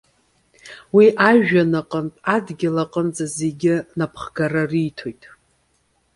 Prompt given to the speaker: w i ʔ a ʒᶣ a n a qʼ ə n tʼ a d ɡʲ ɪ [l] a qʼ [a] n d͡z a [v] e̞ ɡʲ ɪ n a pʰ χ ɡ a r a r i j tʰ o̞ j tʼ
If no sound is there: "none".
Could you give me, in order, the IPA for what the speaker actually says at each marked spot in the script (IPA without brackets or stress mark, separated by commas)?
l, ə, z